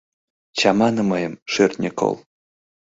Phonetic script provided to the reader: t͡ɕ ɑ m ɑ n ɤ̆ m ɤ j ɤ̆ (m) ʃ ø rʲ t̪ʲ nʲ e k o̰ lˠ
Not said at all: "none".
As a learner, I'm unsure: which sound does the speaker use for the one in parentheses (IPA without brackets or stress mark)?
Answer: m